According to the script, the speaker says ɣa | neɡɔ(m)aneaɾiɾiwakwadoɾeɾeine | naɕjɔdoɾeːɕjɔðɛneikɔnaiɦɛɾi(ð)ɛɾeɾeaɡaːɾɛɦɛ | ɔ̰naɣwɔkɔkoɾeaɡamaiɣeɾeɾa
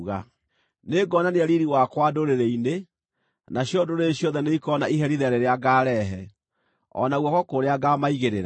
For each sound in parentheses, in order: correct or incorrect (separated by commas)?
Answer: incorrect, correct